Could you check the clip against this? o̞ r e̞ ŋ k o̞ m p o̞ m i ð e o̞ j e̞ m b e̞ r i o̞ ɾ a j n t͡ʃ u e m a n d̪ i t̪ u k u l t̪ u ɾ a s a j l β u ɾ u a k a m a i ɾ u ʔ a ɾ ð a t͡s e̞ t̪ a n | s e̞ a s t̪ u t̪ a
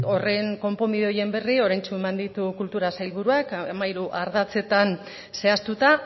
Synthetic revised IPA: o̞ r e̞ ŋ k o̞ m p o̞ m i ð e o̞ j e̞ m b e̞ r i o̞ ɾ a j n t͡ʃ u e m a n d̪ i t̪ u k u l t̪ u ɾ a s a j l β u ɾ u a k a m a i ɾ u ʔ a ɾ ð a t͡s e̞ t̪ a n | s e̞ a s t̪ u t̪ a